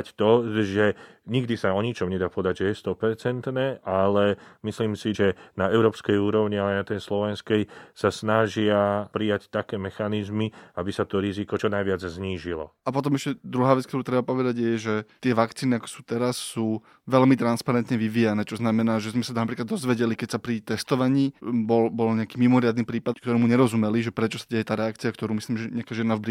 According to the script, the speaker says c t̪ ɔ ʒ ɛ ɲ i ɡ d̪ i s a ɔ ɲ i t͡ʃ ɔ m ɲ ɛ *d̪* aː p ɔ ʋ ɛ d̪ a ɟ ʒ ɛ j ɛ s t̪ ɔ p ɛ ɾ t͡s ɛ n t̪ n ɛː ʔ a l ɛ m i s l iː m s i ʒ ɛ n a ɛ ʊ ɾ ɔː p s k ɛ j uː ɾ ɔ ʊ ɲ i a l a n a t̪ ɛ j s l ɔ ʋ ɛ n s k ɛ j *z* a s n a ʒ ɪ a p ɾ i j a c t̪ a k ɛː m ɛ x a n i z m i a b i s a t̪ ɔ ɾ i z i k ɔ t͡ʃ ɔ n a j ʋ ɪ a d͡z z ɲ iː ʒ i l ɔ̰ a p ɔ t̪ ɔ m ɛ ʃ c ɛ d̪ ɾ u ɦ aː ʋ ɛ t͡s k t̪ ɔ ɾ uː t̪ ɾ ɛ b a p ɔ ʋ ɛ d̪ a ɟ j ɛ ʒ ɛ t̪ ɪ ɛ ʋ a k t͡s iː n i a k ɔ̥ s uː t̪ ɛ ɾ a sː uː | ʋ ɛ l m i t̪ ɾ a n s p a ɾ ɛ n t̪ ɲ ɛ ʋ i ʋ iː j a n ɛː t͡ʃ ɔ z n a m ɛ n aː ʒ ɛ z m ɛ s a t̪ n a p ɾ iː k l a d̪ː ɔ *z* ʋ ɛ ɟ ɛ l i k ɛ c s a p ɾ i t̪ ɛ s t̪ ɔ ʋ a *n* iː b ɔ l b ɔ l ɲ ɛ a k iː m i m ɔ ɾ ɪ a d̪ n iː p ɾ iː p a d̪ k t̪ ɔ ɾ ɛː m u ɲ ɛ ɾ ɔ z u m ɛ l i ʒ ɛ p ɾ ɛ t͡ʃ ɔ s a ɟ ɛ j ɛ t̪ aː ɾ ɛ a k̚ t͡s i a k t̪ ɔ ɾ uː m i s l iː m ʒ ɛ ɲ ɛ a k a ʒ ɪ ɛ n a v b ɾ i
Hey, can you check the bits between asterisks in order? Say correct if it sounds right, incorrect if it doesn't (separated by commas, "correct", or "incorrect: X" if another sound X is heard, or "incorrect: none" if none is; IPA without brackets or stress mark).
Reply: correct, incorrect: s, correct, incorrect: ɲ